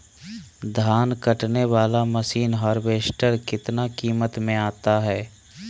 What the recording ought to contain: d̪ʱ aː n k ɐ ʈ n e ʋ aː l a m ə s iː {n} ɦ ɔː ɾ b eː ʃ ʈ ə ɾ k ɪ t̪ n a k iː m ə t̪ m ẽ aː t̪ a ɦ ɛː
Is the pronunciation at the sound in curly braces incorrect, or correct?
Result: correct